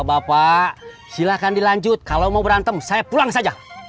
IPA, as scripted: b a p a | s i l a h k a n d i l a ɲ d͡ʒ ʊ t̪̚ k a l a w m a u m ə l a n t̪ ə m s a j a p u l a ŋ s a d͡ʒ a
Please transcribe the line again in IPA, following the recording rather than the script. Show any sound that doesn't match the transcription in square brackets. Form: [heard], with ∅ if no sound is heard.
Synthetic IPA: b a p a | s i l a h k a n d i l a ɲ d͡ʒ ʊ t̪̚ k a l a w m a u [b] ə [ɾ] a n t̪ ə m s a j a p u l a ŋ s a d͡ʒ a